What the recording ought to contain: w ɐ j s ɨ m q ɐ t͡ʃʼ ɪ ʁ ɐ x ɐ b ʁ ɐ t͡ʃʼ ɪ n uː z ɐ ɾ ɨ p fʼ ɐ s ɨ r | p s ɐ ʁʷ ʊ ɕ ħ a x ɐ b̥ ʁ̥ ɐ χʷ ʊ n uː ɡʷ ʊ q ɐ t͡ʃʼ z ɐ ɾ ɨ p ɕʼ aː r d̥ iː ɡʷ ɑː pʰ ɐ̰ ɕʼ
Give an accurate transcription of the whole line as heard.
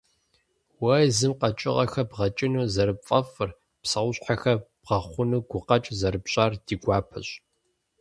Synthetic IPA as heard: w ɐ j z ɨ m q ɐ t͡ʃʼ ɪ ʁ ɐ x ɐ b ʁ ɐ t͡ʃʼ ɪ n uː z ɐ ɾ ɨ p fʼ ɐ f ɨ r | p s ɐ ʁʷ ʊ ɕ ħ a x ɐ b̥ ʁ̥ ɐ χʷ ʊ n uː ɡʷ ʊ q ɐ t͡ʃʼ z ɐ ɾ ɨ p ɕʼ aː r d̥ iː ɡʷ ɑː pʰ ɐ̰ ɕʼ